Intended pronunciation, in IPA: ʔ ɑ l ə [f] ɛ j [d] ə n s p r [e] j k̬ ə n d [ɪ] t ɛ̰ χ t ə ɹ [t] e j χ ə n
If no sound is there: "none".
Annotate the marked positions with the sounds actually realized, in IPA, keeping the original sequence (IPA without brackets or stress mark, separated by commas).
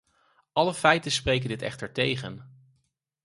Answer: f, t, e, ɪ, t